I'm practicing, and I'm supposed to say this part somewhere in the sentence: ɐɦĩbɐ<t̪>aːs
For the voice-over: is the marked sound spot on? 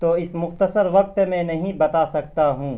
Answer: yes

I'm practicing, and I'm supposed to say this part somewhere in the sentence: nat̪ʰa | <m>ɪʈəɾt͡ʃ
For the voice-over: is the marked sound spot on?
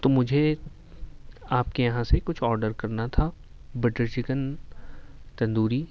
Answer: no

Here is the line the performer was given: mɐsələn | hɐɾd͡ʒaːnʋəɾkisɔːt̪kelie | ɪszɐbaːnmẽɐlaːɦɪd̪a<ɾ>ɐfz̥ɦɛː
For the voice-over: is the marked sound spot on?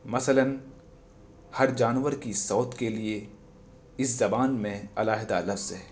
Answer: no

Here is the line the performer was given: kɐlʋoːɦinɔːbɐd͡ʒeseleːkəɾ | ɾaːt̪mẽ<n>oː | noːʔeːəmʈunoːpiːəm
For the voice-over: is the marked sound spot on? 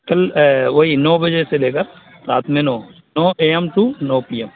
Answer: yes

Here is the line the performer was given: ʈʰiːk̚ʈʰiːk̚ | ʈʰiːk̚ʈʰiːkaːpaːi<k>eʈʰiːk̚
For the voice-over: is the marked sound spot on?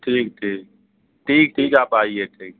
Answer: no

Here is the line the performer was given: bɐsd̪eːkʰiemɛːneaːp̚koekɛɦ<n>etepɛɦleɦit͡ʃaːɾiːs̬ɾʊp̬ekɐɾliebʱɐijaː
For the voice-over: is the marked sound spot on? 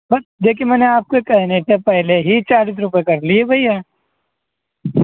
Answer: yes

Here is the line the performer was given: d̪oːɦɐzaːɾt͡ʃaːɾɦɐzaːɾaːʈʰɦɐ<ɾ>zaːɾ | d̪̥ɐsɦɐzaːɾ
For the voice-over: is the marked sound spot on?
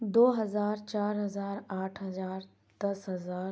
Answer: no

